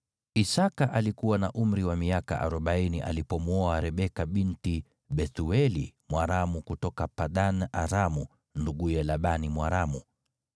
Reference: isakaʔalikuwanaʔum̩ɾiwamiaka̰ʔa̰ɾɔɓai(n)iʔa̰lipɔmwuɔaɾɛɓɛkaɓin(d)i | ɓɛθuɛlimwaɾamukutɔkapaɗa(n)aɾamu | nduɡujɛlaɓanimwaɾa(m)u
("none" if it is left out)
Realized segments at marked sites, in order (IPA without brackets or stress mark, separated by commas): n, t, n, m